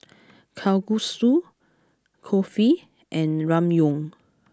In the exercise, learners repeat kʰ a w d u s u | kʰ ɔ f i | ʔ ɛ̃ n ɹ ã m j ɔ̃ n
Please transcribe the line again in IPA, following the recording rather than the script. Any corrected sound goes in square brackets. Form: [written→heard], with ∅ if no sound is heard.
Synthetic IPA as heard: kʰ a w [d→ɡ] u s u | kʰ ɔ f i | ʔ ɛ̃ n ɹ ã m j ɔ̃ [n→ŋ]